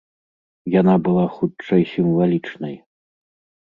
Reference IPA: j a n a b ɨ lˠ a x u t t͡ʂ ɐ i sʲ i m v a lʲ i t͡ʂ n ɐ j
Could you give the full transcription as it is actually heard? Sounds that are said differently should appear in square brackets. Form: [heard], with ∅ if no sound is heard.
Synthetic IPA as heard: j a n a b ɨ lˠ a x u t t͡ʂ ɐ [j] sʲ i m v a lʲ i t͡ʂ n ɐ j